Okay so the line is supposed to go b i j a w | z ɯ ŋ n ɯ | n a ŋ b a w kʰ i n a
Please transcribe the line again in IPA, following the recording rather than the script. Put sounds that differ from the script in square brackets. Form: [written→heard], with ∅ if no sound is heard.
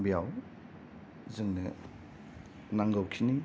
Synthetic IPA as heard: b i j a w | z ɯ ŋ n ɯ | n a ŋ [b→ɡ] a w kʰ i n [a→i]